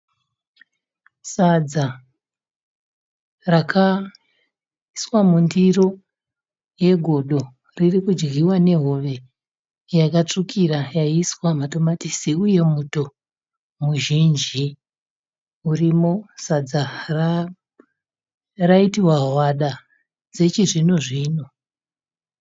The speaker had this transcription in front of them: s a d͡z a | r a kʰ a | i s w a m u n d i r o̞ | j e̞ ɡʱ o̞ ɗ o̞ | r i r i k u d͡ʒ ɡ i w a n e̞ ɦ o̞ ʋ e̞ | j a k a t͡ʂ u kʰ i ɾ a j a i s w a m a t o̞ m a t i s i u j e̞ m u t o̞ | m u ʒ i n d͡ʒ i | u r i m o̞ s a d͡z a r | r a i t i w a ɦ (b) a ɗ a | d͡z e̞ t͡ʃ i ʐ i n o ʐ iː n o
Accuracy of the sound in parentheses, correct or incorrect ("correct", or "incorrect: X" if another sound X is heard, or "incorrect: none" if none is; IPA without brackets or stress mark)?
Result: incorrect: w